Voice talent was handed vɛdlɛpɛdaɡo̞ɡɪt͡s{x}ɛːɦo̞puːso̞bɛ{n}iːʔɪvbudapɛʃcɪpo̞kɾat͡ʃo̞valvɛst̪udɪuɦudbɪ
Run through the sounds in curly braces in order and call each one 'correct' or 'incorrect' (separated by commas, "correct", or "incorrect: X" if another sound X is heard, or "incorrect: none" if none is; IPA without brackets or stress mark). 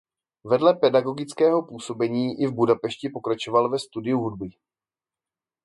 incorrect: k, incorrect: ɲ